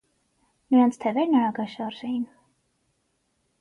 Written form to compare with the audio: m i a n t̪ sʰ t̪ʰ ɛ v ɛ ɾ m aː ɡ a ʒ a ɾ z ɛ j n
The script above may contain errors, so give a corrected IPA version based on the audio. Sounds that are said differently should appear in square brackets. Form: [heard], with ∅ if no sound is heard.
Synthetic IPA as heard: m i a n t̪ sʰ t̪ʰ ɛ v ɛ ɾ [n] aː ɡ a [ʃ] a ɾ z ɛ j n